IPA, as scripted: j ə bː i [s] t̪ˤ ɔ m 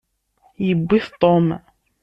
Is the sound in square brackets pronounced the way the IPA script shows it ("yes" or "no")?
no